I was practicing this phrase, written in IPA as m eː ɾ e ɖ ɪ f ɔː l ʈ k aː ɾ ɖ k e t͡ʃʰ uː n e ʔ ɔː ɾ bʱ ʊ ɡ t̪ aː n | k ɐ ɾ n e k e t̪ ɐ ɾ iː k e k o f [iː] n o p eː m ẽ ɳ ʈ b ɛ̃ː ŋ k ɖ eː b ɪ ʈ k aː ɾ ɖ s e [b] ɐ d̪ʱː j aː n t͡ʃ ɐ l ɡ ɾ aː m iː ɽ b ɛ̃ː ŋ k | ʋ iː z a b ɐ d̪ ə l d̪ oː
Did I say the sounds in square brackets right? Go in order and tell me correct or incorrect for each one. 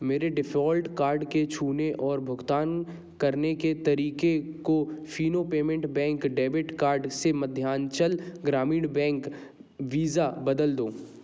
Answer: correct, incorrect

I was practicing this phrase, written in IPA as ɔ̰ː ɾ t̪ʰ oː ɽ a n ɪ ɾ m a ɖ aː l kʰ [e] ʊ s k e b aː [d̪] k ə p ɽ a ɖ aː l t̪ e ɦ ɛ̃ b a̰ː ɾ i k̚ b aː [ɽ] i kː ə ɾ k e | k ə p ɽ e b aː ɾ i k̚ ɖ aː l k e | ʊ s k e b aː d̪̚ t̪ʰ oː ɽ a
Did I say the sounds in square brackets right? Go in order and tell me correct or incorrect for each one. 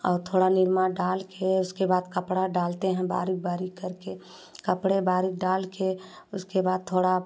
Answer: correct, correct, incorrect

